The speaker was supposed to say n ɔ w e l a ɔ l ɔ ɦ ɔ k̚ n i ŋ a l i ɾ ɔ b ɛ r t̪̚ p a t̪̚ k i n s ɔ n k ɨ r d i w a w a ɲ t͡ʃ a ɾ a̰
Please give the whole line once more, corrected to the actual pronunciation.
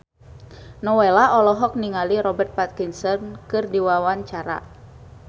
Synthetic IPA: n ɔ w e l a ɔ l ɔ ɦ ɔ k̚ n i ŋ a l i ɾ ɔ b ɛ r t̪̚ p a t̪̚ k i n s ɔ n k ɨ r d i w a w a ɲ t͡ʃ a ɾ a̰

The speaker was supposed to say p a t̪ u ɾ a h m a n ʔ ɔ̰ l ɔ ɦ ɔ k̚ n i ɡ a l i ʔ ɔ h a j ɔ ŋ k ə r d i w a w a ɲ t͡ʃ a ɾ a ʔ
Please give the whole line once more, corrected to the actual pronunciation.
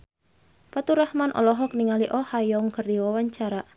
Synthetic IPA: p a t̪ u ɾ a h m a n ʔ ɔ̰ l ɔ ɦ ɔ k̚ n i ŋ a l i ʔ ɔ h a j ɔ ŋ k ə r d i w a w a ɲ t͡ʃ a ɾ a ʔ

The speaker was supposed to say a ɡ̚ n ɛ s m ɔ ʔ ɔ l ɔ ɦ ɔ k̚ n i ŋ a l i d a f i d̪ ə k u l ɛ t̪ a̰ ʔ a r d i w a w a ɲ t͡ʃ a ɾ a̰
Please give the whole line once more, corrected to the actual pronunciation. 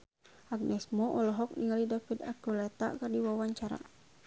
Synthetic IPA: a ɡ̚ n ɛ s m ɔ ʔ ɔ l ɔ ɦ ɔ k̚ n i ŋ a l i d a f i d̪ a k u l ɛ t̪ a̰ k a r d i w a w a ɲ t͡ʃ a ɾ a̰

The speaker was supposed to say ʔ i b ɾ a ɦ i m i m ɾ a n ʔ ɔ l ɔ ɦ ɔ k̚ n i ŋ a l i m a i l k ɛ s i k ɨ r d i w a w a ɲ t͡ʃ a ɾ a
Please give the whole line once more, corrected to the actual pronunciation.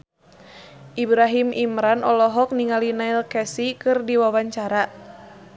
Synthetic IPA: ʔ i b ɾ a ɦ i m i m ɾ a n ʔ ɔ l ɔ ɦ ɔ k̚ n i ŋ a l i n a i l k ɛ s i k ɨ r d i w a w a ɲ t͡ʃ a ɾ a

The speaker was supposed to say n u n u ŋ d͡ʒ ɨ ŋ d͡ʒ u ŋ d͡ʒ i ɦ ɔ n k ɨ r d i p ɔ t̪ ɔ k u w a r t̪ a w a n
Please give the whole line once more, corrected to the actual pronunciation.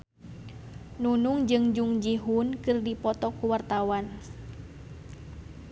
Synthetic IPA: n u n u ŋ d͡ʒ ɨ ŋ d͡ʒ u ŋ d͡ʒ i ɦ u n k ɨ r d i p ɔ t̪ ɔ k u w a r t̪ a w a n

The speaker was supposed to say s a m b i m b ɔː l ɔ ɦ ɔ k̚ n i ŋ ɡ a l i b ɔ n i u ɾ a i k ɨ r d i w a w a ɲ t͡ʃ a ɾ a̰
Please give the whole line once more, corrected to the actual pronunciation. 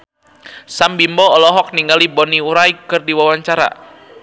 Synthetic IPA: s a m b i m b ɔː l ɔ ɦ ɔ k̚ n i ŋ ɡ a l i b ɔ n i u ɾ a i k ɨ r d i w a w a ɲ t͡ʃ a ɾ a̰

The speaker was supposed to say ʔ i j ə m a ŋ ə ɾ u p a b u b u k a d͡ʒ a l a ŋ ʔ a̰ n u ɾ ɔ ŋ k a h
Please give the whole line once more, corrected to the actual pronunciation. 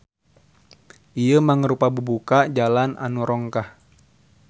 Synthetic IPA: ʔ i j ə m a ŋ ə ɾ u p a b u b u k a d͡ʒ a l a n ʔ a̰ n u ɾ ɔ ŋ k a h

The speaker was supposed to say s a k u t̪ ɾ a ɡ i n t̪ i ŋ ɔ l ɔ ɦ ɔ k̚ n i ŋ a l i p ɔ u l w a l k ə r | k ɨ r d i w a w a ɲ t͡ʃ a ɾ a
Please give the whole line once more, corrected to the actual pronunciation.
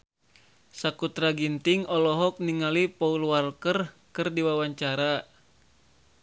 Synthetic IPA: s a k u t̪ ɾ a ɡ i n t̪ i ŋ ɔ l ɔ ɦ ɔ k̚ n i ŋ a l i p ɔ u l w a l k ə r | k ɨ r d i w a w a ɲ t͡ʃ a ɾ a

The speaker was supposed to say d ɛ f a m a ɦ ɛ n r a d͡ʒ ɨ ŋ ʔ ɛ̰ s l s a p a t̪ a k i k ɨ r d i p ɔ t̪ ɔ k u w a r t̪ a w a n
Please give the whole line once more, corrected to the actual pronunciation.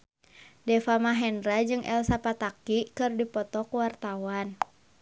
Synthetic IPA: d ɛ f a m a ɦ ɛ n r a d͡ʒ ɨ ŋ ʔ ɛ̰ l s a p a t̪ a k i k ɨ r d i p ɔ t̪ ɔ k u w a r t̪ a w a n

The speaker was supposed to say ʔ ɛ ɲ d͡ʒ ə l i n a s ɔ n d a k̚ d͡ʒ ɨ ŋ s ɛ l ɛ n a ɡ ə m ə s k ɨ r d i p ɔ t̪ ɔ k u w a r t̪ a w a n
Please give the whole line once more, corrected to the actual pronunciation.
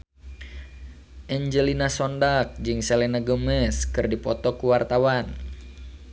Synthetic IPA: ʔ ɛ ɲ d͡ʒ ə l i n a s ɔ n d a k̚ d͡ʒ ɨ ŋ s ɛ l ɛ n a ɡ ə m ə s k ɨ r d i p ɔ t̪ ɔ k u w a r t̪ a w a n

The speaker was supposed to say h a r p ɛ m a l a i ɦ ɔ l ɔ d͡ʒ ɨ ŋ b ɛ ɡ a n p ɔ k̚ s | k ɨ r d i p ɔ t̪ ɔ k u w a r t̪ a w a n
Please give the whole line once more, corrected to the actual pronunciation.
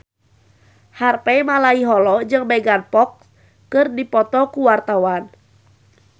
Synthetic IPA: h a r p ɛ m a l a i ɦ ɔ l ɔ d͡ʒ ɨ ŋ b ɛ ɡ a n p ɔ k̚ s | k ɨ r d i p ɔ t̪ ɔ k u w a r t̪ a w a n

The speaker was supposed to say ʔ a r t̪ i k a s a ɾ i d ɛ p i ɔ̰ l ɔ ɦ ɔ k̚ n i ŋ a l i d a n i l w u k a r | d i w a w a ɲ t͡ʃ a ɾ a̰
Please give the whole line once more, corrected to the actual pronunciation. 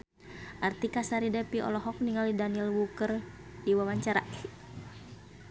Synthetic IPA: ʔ a r t̪ i k a s a ɾ i d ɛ p i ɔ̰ l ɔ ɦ ɔ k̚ n i ŋ a l i d a n i l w u k ə r | d i w a w a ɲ t͡ʃ a ɾ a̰

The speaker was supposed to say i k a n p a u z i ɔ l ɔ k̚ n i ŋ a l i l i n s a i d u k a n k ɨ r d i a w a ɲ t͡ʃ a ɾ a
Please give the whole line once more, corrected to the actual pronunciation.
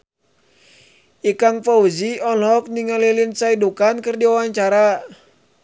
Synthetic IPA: i k a ŋ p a u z i ɔ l ɔ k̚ n i ŋ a l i l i n s a i d u k a n k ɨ r d i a w a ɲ t͡ʃ a ɾ a

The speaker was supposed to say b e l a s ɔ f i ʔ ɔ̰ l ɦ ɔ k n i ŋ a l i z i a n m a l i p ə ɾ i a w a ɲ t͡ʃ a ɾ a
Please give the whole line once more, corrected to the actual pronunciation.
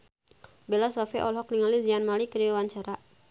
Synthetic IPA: b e l a s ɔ f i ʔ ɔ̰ l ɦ ɔ k n i ŋ a l i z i a n m a l i k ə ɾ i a w a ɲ t͡ʃ a ɾ a

